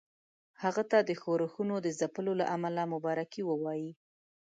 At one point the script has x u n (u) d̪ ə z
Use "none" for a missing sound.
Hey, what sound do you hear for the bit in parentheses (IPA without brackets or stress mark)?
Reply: o